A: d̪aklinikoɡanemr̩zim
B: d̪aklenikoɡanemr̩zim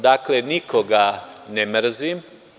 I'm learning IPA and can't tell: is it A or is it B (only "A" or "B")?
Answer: B